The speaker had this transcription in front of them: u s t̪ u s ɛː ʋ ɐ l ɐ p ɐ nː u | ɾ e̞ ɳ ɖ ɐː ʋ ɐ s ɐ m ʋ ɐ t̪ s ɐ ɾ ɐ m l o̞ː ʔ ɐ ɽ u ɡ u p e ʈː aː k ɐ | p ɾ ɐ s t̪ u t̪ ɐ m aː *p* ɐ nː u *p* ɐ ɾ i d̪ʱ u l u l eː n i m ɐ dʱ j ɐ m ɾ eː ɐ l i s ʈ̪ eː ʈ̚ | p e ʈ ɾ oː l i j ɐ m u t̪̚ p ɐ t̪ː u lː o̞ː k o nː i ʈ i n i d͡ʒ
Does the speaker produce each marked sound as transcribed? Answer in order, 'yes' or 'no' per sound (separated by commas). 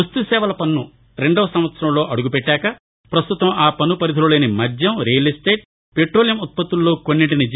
yes, yes